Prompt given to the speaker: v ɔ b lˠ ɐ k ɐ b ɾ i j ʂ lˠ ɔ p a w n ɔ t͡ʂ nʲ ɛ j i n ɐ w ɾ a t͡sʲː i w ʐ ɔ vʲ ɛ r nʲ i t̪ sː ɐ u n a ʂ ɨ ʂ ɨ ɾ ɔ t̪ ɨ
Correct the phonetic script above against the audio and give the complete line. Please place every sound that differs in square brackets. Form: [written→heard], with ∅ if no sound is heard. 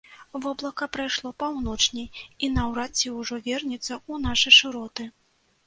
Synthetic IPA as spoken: v ɔ b lˠ ɐ k ɐ [b→p] ɾ [i→a] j ʂ lˠ ɔ p a w n ɔ t͡ʂ nʲ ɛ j i n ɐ w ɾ a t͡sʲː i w ʐ ɔ vʲ ɛ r nʲ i t̪ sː ɐ u n a ʂ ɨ ʂ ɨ ɾ ɔ t̪ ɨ

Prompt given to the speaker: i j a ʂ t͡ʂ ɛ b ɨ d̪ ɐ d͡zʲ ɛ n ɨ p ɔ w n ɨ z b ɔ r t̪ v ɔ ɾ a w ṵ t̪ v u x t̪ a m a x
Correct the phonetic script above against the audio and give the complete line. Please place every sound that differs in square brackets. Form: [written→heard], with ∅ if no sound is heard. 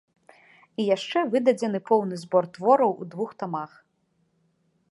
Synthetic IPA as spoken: i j a ʂ t͡ʂ ɛ [b→v] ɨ d̪ ɐ d͡zʲ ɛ n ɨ p ɔ w n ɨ z b ɔ r t̪ v ɔ ɾ [a→ɐ] w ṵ [t̪→d̪] v u x t̪ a m a x

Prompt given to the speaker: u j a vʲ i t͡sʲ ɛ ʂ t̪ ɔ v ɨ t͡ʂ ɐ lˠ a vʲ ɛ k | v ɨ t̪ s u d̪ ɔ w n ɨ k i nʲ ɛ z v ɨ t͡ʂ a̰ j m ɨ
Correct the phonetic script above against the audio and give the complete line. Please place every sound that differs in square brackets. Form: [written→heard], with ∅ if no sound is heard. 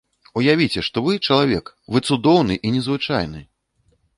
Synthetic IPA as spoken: u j a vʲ i t͡sʲ ɛ ʂ t̪ ɔ v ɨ t͡ʂ ɐ lˠ a vʲ ɛ k | v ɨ t̪ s u d̪ ɔ w n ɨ [k→ʔ] i nʲ ɛ z v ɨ t͡ʂ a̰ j [m→n] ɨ

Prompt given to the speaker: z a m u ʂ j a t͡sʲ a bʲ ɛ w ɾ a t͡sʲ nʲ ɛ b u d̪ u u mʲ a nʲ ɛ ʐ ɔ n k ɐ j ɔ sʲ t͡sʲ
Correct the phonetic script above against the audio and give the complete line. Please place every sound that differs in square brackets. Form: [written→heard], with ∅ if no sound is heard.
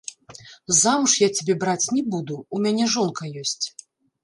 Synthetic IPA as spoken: z a m u ʂ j a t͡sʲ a bʲ ɛ [w→b] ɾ a t͡sʲ nʲ ɛ b u d̪ u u mʲ a nʲ ɛ ʐ ɔ n k ɐ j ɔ sʲ t͡sʲ

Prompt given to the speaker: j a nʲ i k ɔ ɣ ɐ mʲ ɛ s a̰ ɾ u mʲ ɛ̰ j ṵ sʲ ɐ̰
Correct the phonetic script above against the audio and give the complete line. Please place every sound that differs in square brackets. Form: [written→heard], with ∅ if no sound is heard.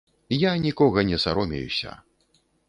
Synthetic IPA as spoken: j a nʲ i k ɔ ɣ ɐ [mʲ→nʲ] ɛ s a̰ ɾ [u→ɔ] mʲ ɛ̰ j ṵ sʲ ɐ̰

